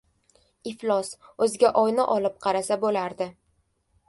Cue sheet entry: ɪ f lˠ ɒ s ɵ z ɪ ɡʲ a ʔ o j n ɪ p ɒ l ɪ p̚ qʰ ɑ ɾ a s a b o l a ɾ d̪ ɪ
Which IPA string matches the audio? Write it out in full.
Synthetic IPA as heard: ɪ f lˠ ɒ s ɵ z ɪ ɡʲ a ʔ ɒ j n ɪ ʔ ɒ l ɪ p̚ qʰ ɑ ɾ a s a b o l a ɾ d̪ ɪ